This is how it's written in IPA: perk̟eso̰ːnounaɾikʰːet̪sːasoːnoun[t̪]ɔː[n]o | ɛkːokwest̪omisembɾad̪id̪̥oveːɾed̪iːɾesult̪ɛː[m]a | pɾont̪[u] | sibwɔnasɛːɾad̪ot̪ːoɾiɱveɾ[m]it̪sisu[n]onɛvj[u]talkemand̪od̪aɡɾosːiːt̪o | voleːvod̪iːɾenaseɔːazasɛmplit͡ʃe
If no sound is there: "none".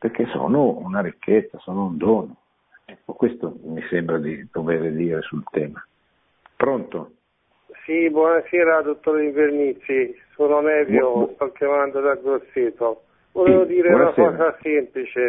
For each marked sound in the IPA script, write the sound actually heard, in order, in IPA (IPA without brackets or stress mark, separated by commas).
d̪, n, m, o, n, n, o